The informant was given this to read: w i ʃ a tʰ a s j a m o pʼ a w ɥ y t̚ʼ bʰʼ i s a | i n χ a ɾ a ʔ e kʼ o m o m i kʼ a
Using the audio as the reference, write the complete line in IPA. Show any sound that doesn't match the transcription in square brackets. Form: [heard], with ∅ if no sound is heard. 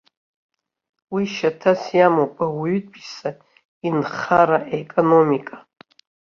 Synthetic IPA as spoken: w i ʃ a tʰ a s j a m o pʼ a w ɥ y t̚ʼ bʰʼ i s a | i n χ a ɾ a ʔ e kʼ o [n] o m i kʼ a